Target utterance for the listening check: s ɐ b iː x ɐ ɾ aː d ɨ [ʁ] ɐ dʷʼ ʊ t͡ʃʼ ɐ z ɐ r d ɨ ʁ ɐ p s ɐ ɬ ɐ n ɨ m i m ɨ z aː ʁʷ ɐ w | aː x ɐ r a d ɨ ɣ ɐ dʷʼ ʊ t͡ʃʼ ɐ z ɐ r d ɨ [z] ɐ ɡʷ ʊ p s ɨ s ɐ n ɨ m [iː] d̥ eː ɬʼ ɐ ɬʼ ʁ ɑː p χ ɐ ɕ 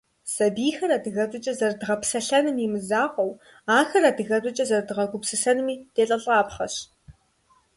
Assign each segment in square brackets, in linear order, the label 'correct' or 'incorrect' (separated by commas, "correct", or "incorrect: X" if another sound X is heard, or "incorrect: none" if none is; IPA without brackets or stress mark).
incorrect: ɣ, incorrect: ʁ, correct